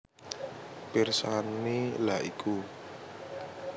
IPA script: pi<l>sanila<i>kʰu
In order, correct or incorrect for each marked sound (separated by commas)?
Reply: incorrect, correct